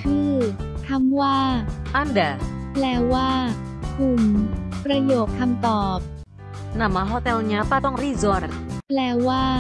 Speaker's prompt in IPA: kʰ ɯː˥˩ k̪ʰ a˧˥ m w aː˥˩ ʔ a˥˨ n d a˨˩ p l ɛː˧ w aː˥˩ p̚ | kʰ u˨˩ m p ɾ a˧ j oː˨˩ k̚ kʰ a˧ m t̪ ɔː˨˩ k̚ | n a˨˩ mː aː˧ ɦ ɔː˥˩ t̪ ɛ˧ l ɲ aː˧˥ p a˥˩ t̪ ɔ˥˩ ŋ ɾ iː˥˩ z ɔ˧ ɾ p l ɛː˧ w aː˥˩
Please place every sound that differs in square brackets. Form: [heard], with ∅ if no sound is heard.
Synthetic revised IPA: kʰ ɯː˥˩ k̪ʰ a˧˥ m w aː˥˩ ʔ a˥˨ n d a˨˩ p l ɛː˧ w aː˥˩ [∅] | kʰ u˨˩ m p ɾ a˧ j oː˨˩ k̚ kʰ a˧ m t̪ ɔː˨˩ [p̚] | n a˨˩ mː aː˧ ɦ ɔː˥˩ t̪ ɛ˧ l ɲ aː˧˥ p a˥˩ t̪ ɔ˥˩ ŋ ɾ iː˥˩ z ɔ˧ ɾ p l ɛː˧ w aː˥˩